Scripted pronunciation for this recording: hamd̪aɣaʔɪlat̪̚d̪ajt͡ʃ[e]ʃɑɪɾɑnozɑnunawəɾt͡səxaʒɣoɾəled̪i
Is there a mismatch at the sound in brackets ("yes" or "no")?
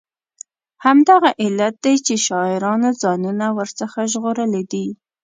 no